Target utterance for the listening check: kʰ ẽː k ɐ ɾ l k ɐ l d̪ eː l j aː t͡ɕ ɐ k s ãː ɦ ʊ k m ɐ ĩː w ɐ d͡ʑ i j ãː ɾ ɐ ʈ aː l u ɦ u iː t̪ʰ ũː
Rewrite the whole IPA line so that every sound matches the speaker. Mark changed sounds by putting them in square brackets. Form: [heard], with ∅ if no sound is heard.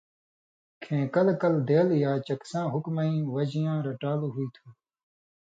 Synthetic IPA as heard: kʰ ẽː k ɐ [∅] l k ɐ l d̪ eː l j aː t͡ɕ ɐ k s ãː ɦ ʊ k m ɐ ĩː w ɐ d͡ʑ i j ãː ɾ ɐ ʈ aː l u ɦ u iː t̪ʰ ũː